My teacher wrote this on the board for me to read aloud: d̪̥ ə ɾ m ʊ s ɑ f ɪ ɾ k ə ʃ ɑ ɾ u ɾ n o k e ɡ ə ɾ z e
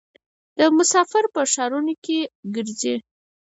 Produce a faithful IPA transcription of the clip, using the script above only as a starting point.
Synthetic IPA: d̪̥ ə m ʊ s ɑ f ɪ ɾ p ə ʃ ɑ ɾ u n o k e ɡ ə ɾ z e